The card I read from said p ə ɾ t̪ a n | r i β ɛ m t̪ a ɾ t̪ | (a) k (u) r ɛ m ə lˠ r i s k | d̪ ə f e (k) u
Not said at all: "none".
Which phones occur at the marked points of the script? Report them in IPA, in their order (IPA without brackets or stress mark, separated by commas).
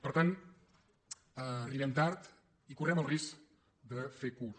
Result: i, u, k